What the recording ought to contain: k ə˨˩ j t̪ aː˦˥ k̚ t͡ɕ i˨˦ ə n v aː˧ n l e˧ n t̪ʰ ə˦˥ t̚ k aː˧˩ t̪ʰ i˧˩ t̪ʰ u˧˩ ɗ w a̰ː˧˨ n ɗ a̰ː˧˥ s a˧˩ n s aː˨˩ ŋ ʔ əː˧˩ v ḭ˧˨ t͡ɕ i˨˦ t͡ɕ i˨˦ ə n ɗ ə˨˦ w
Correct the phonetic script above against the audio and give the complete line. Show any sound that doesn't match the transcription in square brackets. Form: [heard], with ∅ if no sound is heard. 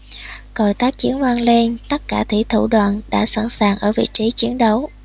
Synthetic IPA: k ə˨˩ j t̪ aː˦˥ k̚ t͡ɕ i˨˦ ə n v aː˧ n l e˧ n [t̪] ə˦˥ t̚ k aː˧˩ t̪ʰ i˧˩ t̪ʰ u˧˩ ɗ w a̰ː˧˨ n ɗ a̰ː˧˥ s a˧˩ n s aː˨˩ ŋ ʔ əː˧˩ v ḭ˧˨ t͡ɕ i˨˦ t͡ɕ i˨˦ ə n ɗ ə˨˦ w

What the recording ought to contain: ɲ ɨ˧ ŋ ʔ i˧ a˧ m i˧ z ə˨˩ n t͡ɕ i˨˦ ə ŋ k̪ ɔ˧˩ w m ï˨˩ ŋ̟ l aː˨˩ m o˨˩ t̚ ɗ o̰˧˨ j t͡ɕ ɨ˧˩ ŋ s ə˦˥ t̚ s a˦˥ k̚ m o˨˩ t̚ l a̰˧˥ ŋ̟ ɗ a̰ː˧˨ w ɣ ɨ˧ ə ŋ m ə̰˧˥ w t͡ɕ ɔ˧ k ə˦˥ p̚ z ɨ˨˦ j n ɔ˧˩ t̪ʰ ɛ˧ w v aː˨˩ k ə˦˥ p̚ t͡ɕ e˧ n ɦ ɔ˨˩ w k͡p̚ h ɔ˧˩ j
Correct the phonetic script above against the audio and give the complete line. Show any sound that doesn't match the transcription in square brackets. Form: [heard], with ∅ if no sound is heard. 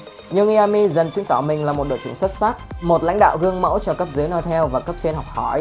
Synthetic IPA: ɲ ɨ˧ ŋ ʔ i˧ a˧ m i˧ z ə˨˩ n t͡ɕ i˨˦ ə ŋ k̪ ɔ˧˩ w m ï˨˩ ŋ̟ l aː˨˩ m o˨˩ t̚ ɗ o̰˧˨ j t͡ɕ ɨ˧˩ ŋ s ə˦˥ t̚ s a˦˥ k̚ m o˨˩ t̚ l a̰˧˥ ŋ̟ ɗ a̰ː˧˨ w ɣ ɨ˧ ə ŋ m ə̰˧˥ w t͡ɕ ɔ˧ k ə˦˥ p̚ z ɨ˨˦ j n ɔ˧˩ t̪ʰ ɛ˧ w v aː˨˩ k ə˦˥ p̚ t͡ɕ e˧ n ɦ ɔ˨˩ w k͡p̚ h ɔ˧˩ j

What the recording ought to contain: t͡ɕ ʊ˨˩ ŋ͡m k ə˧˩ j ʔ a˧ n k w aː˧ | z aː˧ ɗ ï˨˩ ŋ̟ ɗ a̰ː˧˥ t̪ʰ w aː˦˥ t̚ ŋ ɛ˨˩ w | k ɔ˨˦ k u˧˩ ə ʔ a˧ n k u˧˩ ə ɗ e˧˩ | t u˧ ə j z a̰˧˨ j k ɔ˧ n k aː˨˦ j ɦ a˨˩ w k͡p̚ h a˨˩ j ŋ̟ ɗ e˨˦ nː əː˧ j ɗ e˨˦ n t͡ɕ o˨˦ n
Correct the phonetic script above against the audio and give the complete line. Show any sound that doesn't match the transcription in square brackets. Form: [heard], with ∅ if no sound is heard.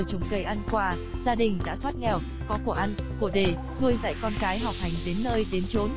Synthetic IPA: t͡ɕ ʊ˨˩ ŋ͡m k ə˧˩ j ʔ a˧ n k w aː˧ | z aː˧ ɗ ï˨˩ ŋ̟ ɗ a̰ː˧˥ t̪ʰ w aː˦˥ t̚ ŋ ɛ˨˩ w | k ɔ˨˦ k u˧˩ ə ʔ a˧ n k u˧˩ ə ɗ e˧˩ | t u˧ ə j z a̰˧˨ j k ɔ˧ n k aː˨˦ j ɦ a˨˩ w k͡p̚ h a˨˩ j ŋ̟ ɗ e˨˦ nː əː˧ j ɗ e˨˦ n t͡ɕ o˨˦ n

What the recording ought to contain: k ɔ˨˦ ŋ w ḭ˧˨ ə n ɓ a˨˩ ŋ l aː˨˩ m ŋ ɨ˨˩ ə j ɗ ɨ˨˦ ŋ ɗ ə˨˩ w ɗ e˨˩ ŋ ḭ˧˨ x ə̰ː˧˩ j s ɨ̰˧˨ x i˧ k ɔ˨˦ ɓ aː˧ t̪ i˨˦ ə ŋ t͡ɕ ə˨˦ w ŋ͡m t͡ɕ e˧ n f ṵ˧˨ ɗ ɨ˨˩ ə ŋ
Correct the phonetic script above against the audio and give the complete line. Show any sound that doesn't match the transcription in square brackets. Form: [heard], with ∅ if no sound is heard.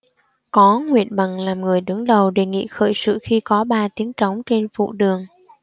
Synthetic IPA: k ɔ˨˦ ŋ w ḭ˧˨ ə n ɓ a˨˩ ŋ l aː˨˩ m ŋ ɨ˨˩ ə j ɗ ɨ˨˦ ŋ ɗ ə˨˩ w ɗ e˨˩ ŋ ḭ˧˨ x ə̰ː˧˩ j s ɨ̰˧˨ x i˧ k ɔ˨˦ ɓ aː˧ t̪ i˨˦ ə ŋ t͡ɕ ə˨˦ w ŋ͡m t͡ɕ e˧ n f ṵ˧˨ ɗ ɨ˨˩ ə ŋ

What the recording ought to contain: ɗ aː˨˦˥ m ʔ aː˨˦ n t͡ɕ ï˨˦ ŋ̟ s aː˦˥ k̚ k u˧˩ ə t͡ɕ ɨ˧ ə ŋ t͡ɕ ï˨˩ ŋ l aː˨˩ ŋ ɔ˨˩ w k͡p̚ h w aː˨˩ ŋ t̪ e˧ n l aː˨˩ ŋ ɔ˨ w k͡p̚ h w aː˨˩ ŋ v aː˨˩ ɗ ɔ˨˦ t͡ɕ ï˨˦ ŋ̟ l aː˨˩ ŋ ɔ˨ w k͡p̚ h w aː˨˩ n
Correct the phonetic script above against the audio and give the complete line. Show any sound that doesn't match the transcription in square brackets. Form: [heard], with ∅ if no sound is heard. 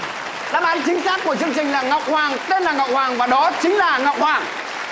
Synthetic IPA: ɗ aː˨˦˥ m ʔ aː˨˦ n t͡ɕ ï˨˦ ŋ̟ s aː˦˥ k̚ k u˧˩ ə t͡ɕ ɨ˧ ə ŋ t͡ɕ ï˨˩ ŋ l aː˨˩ ŋ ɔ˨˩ w k͡p̚ h w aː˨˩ ŋ t̪ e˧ n l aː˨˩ ŋ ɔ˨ w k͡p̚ h w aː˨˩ ŋ v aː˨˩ ɗ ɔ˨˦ t͡ɕ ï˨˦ ŋ̟ l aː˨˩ ŋ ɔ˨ w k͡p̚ h w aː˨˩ [ŋ]

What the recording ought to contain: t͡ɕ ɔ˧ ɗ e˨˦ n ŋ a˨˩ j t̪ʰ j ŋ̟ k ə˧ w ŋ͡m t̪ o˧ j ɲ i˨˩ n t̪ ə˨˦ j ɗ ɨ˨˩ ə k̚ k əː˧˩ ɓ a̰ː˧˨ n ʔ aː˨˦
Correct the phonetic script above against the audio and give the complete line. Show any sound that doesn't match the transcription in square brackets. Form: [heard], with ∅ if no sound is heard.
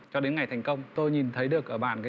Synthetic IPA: t͡ɕ ɔ˧ ɗ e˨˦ n ŋ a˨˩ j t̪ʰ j ŋ̟ k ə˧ w ŋ͡m t̪ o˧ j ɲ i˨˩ n [t̪ʰ] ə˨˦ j ɗ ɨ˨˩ ə k̚ [ʔ] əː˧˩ ɓ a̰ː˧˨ n [k] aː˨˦

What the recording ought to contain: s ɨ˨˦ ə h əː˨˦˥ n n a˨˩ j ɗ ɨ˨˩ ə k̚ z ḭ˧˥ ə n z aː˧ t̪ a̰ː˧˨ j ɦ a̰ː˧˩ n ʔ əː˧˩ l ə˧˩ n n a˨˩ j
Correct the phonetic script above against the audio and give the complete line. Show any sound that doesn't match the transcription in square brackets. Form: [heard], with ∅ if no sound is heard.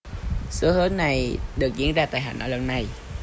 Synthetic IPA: s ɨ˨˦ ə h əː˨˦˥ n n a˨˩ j ɗ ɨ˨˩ ə k̚ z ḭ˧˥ ə n z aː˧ t̪ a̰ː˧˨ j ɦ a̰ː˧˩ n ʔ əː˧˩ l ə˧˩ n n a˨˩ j

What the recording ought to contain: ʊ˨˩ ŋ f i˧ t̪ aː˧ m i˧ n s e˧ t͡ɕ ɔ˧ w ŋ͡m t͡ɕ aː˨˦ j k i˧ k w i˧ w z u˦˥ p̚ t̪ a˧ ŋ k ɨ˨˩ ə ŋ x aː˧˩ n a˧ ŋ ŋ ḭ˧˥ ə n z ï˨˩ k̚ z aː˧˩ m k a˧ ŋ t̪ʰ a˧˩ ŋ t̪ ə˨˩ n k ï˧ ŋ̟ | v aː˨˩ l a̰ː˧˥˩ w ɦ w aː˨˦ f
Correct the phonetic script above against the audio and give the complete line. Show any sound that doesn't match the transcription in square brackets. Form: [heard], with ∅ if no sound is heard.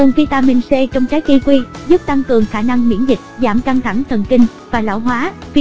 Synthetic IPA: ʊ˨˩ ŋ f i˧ t̪ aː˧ m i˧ n s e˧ t͡ɕ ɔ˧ w ŋ͡m t͡ɕ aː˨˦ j k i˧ k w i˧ [∅] z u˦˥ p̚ t̪ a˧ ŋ k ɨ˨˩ ə ŋ x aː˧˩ n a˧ ŋ [m] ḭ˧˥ ə n z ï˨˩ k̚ z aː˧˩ m k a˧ ŋ t̪ʰ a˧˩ ŋ [t̪ʰ] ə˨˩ n k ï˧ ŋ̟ | v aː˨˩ l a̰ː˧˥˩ w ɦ w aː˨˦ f

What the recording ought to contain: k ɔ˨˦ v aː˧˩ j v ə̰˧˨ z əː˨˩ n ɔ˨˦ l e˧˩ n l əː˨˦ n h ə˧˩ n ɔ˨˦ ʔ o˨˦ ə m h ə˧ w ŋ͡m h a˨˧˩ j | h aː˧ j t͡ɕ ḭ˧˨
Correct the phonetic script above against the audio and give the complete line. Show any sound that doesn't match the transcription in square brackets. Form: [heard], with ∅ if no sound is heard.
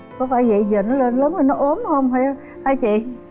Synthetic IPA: k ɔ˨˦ [f] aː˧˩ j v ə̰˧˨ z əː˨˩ n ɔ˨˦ l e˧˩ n l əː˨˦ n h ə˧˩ n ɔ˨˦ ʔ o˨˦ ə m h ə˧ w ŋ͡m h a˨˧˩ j | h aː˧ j t͡ɕ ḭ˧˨

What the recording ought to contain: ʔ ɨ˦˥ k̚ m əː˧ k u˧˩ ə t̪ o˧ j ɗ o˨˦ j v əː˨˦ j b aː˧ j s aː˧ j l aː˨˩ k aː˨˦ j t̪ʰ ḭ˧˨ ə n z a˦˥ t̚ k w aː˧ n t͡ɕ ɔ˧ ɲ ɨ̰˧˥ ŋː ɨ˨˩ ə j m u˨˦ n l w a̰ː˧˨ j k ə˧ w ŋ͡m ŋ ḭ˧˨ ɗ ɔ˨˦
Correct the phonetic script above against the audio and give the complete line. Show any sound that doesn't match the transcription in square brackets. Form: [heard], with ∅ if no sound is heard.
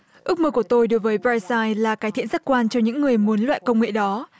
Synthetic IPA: ʔ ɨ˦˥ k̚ m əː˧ k u˧˩ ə t̪ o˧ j ɗ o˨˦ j v əː˨˦ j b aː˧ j s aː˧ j l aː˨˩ k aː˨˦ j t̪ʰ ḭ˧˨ ə n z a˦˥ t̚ k w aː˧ n t͡ɕ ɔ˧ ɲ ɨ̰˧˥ ŋː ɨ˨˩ ə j m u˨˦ n l w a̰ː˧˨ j k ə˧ w ŋ͡m ŋ [ḛ˧˨] ɗ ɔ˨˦

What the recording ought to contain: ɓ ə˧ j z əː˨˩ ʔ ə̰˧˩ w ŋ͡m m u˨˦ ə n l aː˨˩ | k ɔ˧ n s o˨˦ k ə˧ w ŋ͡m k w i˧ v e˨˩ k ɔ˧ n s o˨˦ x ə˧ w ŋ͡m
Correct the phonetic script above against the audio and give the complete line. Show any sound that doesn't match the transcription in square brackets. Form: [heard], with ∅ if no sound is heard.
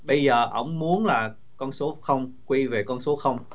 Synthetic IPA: ɓ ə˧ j z əː˨˩ ʔ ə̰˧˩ w ŋ͡m m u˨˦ ə n l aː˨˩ | k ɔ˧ n s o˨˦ [x] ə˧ w ŋ͡m k w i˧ v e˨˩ k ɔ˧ n s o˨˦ x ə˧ w ŋ͡m

